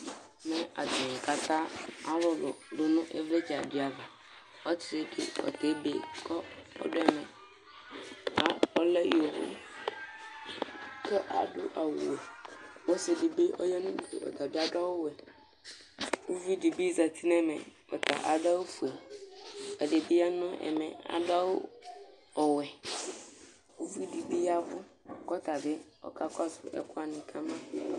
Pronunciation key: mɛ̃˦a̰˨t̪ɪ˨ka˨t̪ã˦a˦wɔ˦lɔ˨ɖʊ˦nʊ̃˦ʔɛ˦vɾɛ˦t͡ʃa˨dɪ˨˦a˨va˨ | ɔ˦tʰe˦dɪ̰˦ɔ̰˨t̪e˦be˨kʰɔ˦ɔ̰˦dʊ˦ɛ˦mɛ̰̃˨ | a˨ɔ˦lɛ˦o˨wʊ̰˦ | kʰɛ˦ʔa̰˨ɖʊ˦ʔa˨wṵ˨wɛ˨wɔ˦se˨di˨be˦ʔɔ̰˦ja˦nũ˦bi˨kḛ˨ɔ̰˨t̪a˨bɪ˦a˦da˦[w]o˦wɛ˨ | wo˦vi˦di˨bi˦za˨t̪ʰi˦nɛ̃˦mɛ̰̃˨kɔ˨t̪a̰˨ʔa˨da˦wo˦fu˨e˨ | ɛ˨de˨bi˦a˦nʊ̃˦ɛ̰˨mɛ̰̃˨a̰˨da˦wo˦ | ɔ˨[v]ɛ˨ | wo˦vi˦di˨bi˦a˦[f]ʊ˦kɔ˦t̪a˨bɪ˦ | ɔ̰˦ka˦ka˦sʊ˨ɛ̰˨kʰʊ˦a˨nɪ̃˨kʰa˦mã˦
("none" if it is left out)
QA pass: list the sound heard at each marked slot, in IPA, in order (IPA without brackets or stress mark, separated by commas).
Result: w, w, v